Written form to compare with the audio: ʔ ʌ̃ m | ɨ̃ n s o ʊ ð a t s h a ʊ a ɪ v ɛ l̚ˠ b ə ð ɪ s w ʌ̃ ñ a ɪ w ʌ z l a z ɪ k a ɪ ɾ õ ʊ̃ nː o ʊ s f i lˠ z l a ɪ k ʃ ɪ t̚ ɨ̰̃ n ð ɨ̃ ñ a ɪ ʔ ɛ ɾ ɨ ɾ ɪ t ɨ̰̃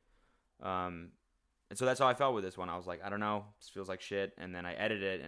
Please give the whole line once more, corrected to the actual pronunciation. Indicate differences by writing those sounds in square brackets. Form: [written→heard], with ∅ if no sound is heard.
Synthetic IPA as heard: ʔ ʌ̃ m | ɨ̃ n s o ʊ ð [a→æ] t s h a ʊ a ɪ [v→f] ɛ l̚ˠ [b→w] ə ð ɪ s w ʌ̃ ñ a ɪ w ʌ z l a [z→∅] ɪ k a ɪ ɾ õ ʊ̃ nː o ʊ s f i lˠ z l a ɪ k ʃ ɪ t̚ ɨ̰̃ n ð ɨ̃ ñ a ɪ ʔ ɛ ɾ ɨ ɾ ɪ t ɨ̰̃